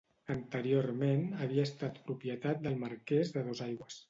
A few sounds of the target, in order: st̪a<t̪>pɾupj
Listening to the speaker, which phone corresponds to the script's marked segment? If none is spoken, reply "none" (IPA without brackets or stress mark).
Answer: t̪